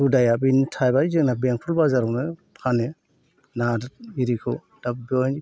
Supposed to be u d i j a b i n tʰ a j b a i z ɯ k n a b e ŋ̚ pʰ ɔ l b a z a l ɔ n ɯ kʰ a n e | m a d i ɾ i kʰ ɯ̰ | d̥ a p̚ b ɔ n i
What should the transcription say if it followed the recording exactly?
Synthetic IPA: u d a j a b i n tʰ a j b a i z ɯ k n a b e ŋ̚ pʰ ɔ l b a z a ɾ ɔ n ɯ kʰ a n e | n a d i ɾ i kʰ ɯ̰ | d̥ a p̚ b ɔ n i